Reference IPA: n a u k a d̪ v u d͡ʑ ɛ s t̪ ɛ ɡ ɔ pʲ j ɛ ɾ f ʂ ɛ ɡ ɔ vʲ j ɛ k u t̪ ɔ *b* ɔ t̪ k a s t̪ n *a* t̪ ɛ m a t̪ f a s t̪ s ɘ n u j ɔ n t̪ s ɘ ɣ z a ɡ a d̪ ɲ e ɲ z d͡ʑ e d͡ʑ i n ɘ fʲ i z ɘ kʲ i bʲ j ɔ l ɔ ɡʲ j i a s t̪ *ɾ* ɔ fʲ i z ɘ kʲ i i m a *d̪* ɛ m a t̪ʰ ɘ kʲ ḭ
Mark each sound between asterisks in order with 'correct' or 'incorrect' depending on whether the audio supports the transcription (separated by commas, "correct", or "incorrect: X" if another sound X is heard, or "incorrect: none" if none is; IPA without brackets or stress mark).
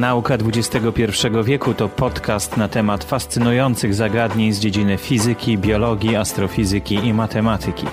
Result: incorrect: p, correct, correct, incorrect: t̪